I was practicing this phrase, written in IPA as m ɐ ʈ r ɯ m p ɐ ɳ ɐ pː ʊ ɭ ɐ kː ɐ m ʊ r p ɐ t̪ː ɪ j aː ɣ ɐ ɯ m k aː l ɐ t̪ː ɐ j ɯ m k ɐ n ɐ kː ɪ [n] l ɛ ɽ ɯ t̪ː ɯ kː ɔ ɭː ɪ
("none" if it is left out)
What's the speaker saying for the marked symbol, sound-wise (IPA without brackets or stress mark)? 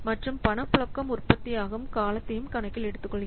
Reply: none